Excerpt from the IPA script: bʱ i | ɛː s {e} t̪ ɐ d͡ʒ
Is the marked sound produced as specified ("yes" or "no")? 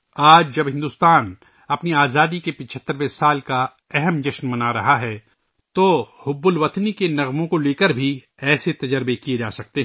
yes